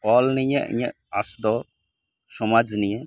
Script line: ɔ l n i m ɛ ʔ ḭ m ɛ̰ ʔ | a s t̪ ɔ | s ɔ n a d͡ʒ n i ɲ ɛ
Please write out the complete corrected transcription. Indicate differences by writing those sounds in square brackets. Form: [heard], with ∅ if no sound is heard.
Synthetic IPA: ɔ l n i [ɲ] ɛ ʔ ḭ [ɲ] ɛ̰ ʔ | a s [d̪] ɔ | s ɔ [m] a d͡ʒ n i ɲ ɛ